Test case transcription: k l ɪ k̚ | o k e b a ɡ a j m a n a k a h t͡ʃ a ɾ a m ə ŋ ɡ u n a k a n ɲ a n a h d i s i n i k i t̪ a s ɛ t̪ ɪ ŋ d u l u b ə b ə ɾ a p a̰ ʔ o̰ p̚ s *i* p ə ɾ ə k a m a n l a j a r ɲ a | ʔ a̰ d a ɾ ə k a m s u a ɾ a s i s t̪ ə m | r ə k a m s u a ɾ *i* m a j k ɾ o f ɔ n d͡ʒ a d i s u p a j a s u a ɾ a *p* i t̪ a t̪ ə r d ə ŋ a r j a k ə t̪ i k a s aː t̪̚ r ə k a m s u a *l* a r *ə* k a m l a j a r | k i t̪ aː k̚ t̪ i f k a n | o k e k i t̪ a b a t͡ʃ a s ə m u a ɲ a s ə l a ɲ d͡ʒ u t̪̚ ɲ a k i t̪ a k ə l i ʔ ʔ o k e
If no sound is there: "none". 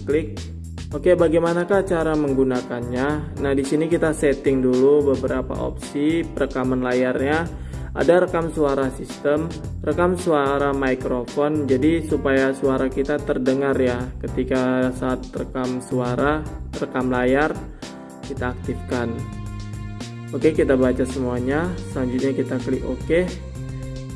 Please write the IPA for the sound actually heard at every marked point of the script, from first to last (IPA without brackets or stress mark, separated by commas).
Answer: i, a, k, ɾ, ə